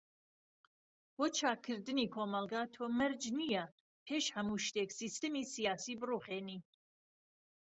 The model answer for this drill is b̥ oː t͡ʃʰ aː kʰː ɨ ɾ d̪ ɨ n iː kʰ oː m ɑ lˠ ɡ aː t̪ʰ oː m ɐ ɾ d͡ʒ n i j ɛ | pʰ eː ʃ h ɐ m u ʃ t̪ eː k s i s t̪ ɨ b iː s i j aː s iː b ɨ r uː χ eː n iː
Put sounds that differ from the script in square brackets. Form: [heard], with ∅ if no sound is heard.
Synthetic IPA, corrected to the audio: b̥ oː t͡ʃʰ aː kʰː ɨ ɾ d̪ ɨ n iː kʰ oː m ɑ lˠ ɡ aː t̪ʰ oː m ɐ ɾ d͡ʒ n i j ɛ | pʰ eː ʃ h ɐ m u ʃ t̪ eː k s i s t̪ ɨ [m] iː s i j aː s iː b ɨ r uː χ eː n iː

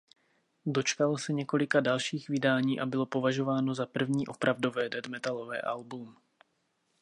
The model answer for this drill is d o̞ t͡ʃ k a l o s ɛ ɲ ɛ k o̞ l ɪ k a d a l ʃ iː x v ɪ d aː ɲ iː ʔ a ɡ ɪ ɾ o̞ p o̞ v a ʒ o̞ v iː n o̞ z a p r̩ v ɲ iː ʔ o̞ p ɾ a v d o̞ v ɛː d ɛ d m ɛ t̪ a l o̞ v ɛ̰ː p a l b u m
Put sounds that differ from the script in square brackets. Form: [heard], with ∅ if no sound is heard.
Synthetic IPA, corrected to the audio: d o̞ t͡ʃ k a l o s ɛ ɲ ɛ k o̞ l ɪ k a d a l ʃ iː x v ɪ d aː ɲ iː ʔ a [b] ɪ [l] o̞ p o̞ v a ʒ o̞ v [aː] n o̞ z a p r̩ v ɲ iː ʔ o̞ p ɾ a v d o̞ v ɛː d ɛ d m ɛ t̪ a l o̞ v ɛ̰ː [ʔ] a l b u m

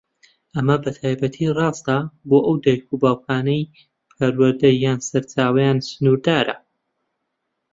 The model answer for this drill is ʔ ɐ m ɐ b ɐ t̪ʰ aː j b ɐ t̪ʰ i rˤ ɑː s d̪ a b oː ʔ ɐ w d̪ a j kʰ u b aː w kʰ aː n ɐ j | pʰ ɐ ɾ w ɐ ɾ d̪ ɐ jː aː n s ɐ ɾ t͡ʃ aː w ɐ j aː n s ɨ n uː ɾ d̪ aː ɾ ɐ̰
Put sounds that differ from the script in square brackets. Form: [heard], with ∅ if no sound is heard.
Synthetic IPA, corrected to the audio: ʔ ɐ m ɐ b ɐ t̪ʰ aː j b ɐ t̪ʰ i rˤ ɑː s [t̪] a b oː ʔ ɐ w d̪ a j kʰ u b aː w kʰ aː n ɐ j | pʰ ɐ ɾ w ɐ ɾ d̪ ɐ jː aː n s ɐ ɾ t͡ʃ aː w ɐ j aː n s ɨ n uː ɾ d̪ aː ɾ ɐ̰

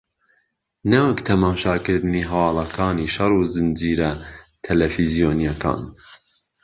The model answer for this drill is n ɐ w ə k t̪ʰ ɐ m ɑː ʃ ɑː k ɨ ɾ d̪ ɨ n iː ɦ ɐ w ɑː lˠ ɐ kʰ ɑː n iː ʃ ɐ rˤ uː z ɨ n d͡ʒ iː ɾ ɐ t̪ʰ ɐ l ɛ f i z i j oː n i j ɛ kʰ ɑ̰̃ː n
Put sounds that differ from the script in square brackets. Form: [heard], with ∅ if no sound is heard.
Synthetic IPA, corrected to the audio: n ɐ w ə k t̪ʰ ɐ m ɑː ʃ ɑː k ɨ ɾ d̪ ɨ n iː ɦ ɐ w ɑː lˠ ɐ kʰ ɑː n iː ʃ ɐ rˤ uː z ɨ n d͡ʒ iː ɾ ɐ t̪ʰ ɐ l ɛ f i z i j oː n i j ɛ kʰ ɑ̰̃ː n

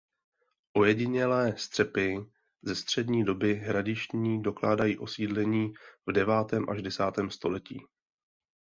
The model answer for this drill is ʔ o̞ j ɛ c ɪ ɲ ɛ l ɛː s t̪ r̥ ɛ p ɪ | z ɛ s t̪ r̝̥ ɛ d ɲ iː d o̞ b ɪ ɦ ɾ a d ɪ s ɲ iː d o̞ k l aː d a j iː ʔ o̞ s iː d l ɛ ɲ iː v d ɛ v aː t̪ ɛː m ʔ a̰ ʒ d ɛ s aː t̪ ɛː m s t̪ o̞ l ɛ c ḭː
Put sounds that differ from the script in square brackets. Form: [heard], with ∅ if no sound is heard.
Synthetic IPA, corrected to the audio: ʔ o̞ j ɛ [ɟ] ɪ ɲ ɛ l ɛː s t̪ r̥ ɛ p ɪ | z ɛ s t̪ r̝̥ ɛ d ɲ iː d o̞ b ɪ ɦ ɾ a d ɪ [ʃ] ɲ iː d o̞ k l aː d a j iː ʔ o̞ s iː d l ɛ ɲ iː v d ɛ v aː t̪ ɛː m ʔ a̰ ʒ d ɛ s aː t̪ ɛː m s t̪ o̞ l ɛ c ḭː

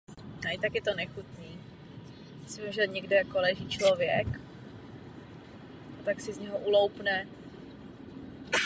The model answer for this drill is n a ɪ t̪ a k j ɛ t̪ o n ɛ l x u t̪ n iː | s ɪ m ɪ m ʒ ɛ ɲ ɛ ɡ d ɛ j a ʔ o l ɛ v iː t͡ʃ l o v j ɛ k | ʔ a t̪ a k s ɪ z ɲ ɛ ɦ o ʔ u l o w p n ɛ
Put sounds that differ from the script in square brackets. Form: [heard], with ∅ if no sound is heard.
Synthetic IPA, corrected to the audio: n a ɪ t̪ a k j ɛ t̪ o n ɛ [∅] x u t̪ n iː | s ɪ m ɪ m ʒ ɛ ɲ ɛ ɡ d ɛ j a [k] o l ɛ [ʒ] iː t͡ʃ l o v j ɛ k | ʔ a t̪ a k s ɪ z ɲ ɛ ɦ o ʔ u l o w p n ɛ

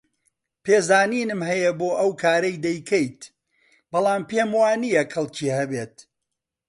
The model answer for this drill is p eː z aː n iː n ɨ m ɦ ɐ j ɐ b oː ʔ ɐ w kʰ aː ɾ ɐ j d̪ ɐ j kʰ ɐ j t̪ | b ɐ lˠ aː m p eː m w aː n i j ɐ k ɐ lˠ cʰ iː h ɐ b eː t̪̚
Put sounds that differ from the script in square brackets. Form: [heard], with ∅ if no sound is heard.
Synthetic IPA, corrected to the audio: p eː z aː n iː n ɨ m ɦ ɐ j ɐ b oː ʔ ɐ w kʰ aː ɾ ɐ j d̪ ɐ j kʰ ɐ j t̪ | b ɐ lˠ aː m p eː m w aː n i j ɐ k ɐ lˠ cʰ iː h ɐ b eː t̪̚

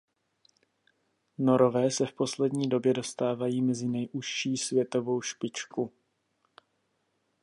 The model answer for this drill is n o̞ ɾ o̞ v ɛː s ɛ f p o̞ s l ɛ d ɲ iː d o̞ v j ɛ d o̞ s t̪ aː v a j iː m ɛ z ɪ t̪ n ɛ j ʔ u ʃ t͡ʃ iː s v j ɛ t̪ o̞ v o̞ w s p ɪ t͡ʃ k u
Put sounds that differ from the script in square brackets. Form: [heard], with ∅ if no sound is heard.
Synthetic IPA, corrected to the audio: n o̞ ɾ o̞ v ɛː s ɛ f p o̞ s l ɛ d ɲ iː d o̞ [b] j ɛ d o̞ s t̪ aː v a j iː m ɛ z ɪ [∅] n ɛ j ʔ u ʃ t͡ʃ iː s v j ɛ t̪ o̞ v o̞ w [ʃ] p ɪ t͡ʃ k u

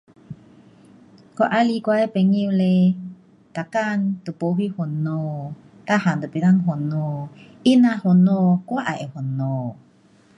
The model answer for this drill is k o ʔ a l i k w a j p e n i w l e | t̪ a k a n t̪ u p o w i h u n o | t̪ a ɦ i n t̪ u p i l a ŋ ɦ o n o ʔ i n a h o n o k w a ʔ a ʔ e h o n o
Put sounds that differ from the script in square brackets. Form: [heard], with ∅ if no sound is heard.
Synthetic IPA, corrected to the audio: k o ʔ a l i k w a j p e [ŋ] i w l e | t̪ a k a n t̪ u p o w i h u n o | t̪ a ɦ [a] n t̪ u p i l a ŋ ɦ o n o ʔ i n a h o n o k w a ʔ a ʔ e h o n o

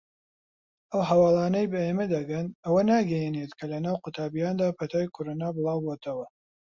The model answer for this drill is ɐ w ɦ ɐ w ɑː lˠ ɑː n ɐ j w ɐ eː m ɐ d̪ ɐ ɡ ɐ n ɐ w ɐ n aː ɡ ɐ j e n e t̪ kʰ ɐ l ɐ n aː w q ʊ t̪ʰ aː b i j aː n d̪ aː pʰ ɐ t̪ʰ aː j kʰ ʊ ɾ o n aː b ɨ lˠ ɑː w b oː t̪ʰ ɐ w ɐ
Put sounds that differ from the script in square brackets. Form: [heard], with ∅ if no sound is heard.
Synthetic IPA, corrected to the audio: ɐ w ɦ ɐ w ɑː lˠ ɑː n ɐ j [b] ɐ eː m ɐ d̪ ɐ ɡ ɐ n ɐ w ɐ n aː ɡ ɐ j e n e t̪ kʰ ɐ l ɐ n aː w q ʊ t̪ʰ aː b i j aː n d̪ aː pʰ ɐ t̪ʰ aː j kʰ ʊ ɾ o n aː b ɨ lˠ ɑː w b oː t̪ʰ ɐ w ɐ

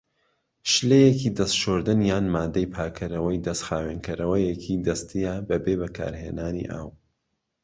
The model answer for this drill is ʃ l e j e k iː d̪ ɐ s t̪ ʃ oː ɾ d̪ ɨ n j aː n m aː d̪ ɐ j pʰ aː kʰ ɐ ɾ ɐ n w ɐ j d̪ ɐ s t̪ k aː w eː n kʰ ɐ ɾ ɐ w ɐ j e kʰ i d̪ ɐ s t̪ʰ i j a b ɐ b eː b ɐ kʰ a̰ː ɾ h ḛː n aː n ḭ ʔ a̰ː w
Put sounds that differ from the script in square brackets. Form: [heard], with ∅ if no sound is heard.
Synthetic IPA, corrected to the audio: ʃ l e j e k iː d̪ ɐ s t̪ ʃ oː ɾ d̪ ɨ n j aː n m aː d̪ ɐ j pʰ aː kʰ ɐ ɾ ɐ [∅] w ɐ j d̪ ɐ s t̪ [x] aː w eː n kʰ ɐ ɾ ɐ w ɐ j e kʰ i d̪ ɐ s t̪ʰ i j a b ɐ b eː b ɐ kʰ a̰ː ɾ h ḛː n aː n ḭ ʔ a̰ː w

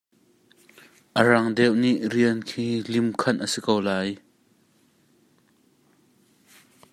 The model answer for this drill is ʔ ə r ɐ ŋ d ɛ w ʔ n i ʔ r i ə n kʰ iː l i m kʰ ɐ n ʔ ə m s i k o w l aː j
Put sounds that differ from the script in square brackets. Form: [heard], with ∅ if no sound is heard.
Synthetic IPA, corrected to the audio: ʔ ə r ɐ ŋ d ɛ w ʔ n i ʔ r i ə n kʰ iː l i m kʰ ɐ n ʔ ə [∅] s i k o w l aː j

